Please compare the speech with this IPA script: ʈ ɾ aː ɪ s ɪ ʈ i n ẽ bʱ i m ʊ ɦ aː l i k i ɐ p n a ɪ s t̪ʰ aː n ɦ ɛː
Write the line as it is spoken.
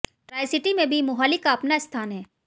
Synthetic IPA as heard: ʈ ɾ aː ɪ s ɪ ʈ i m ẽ bʱ i m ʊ ɦ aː l i k a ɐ p n a ɪ s t̪ʰ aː n ɦ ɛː